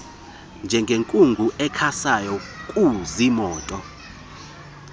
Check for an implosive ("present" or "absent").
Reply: absent